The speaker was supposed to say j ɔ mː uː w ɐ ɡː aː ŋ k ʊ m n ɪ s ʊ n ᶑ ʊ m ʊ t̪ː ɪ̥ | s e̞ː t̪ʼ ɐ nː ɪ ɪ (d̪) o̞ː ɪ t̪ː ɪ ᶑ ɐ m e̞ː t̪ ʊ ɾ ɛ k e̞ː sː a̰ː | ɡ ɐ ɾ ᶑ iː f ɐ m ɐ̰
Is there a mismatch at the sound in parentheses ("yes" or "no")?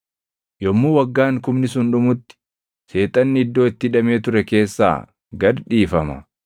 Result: yes